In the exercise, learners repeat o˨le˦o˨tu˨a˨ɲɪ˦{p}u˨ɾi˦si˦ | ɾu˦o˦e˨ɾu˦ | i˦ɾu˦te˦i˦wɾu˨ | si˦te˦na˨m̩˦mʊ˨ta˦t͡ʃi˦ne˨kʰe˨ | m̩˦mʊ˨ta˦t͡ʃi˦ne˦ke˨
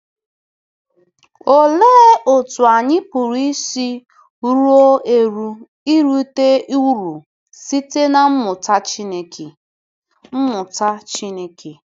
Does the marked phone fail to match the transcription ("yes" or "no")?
no